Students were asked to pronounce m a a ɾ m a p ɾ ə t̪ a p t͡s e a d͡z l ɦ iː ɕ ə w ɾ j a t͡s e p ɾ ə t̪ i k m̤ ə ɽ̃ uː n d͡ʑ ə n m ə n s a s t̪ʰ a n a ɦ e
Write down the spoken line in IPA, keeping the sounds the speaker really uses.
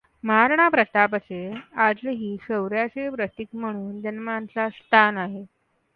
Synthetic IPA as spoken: m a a ɾ ɳ a p ɾ ə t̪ a p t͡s e a d͡z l ɦ iː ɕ ə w ɾ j a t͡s e p ɾ ə t̪ i k m̤ ə ɽ̃ uː n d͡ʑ ə n m a n t͡s a s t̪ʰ a n a ɦ e